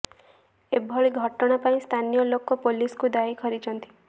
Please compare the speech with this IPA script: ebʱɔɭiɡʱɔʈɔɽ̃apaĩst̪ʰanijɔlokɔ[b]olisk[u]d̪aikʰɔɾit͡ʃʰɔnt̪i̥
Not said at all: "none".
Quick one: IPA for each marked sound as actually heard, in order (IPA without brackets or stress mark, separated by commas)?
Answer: p, u